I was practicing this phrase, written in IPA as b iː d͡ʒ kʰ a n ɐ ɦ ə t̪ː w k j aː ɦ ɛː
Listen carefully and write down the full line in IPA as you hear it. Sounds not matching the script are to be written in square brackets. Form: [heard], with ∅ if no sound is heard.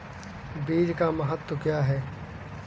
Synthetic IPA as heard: b iː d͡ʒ [k] a [m] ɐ ɦ ə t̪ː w k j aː ɦ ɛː